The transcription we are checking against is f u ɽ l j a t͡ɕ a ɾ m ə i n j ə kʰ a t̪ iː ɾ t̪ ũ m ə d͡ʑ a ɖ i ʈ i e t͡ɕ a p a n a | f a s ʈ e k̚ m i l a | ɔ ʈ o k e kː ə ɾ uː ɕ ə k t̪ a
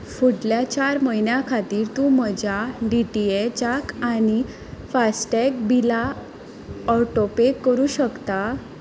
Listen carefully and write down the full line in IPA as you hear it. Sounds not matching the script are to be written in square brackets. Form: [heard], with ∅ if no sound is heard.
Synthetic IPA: f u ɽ l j a t͡ɕ a ɾ m ə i n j [a] kʰ a t̪ iː ɾ t̪ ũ m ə d͡ʑ a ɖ i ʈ i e t͡ɕ a [k] a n [i] | f a s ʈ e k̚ [b] i l a | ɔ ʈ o [p] e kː ə ɾ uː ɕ ə k t̪ a

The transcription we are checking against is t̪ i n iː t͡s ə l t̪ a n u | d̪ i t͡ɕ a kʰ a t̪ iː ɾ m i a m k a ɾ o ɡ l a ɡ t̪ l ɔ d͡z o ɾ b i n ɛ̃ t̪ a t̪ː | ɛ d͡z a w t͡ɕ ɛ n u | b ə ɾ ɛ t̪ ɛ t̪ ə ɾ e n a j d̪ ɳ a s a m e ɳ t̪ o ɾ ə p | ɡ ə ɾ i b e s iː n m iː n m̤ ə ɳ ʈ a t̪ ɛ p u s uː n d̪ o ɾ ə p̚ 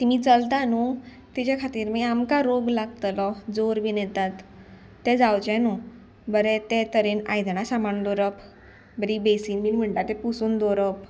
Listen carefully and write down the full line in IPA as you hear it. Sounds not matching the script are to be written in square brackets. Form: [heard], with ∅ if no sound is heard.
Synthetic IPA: t̪ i [m] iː t͡s ə l t̪ a n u | [t̪] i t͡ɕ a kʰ a t̪ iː ɾ m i a m k a ɾ o ɡ l a ɡ t̪ l ɔ d͡z o ɾ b i n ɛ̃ t̪ a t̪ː | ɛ d͡z a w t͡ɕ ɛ n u | b ə ɾ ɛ t̪ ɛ t̪ ə ɾ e n a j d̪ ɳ a s a m [a] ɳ [d̪] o ɾ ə p | [b] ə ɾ i b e s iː n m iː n m̤ ə ɳ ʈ a t̪ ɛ p u s uː n d̪ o ɾ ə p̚

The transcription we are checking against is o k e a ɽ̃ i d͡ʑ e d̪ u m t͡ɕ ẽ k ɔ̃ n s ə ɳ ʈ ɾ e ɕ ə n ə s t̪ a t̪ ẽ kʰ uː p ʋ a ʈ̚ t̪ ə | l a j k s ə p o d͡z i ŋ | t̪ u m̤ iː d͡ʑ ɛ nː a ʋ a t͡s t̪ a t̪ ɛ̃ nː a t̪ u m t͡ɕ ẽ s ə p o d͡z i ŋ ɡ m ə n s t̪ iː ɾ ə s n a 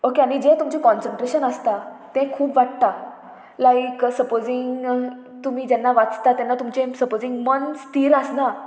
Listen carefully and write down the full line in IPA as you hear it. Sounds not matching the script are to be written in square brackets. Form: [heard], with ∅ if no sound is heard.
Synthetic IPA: o k e a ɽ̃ i d͡ʑ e [t̪] u m t͡ɕ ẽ k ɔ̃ n s ə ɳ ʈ ɾ e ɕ ə n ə s t̪ a t̪ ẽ kʰ uː p ʋ a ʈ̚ t̪ [a] | l a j k s ə p o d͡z i ŋ | t̪ u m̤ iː d͡ʑ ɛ nː a ʋ a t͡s t̪ a t̪ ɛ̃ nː a t̪ u m t͡ɕ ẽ s ə p o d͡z i ŋ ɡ m ə n s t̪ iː ɾ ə s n a

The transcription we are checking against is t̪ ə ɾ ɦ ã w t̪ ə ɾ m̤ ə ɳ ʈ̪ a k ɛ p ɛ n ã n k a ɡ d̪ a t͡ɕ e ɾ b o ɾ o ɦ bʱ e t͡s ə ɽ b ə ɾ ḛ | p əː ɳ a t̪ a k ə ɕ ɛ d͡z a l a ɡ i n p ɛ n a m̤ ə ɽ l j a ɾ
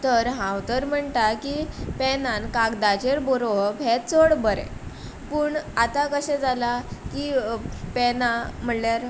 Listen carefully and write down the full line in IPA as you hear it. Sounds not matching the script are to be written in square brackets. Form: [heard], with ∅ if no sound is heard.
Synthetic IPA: t̪ ə ɾ ɦ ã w t̪ ə ɾ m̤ ə ɳ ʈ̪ a k [i] p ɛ n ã n k a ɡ d̪ a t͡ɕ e ɾ b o ɾ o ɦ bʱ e t͡s ə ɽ b ə ɾ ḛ | p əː ɳ a t̪ a k ə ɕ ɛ d͡z a l a [k] i [∅] p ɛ n a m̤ ə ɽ l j a ɾ

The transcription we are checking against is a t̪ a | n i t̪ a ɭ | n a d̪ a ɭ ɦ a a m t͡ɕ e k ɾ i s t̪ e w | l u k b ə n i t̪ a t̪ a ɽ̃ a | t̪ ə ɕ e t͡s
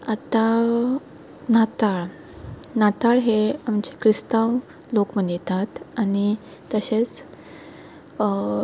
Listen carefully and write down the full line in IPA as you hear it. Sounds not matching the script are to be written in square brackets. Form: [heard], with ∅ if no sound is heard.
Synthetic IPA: a t̪ a | n [a] t̪ a ɭ | n a [t̪] a ɭ ɦ [e] a m t͡ɕ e k ɾ i s t̪ [a] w | l [o] k [m] ə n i t̪ a t̪ a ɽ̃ [i] | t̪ ə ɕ e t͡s

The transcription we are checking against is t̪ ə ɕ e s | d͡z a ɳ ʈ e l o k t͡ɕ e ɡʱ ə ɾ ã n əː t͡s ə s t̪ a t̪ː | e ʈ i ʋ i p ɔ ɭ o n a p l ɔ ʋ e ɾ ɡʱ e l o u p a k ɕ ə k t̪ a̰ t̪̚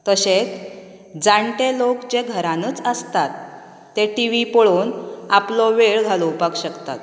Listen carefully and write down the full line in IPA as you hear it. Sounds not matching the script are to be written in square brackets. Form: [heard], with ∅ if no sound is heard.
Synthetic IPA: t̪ ə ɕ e [t͡s] | d͡z a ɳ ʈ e l o k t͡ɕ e ɡʱ ə ɾ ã n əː t͡s ə s t̪ a t̪ː | e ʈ i ʋ i p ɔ ɭ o n a p l ɔ ʋ e [ɭ] ɡʱ [a] l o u p a k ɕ ə k t̪ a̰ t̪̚

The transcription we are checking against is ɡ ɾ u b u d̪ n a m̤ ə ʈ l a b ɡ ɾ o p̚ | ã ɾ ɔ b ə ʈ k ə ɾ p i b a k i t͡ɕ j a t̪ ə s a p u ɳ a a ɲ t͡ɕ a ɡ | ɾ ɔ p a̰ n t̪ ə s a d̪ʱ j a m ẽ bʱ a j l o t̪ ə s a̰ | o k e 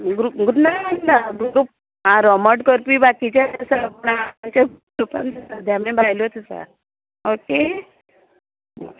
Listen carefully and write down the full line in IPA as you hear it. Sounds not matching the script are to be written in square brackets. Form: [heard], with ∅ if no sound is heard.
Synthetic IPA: ɡ ɾ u [ɡ] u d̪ n a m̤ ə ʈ l a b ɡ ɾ [u] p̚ | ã ɾ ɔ [m] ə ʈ k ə ɾ p i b a k i t͡ɕ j a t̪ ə s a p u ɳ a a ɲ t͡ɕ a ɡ | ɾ [u] p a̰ n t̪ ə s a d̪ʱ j a m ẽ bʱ a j l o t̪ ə s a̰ | o k e

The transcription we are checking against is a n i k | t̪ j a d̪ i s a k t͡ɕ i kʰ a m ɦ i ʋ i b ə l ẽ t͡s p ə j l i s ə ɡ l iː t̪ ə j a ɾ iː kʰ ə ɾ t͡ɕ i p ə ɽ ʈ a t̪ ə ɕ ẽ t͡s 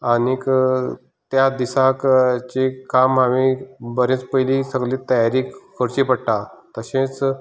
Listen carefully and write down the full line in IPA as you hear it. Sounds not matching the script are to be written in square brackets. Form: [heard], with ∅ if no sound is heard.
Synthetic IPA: a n i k | t̪ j a d̪ i s a k t͡ɕ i [k] a m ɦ [a] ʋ i b ə [ɾ] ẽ t͡s p ə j l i s ə ɡ l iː t̪ ə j a ɾ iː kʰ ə ɾ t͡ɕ i p ə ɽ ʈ a t̪ ə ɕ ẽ t͡s

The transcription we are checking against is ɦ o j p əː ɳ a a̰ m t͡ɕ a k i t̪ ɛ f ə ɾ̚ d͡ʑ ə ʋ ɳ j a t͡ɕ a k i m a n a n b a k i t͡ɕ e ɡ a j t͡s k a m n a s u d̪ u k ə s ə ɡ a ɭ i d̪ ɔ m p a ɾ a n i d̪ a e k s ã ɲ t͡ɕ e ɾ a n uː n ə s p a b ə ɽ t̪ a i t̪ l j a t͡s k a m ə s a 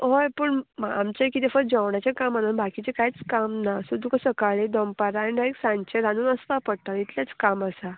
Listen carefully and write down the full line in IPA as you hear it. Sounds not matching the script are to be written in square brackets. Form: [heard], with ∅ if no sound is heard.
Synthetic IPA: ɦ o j p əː ɳ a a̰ m t͡ɕ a k i t̪ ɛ f ə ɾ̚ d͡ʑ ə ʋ ɳ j a t͡ɕ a k [a] m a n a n b a k i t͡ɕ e [k] a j t͡s k a m n a s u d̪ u k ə s ə [k] a ɭ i d̪ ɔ m p a ɾ a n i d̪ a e k s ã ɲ t͡ɕ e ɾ a n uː n ə s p a [p] ə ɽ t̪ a i t̪ l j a t͡s k a m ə s a

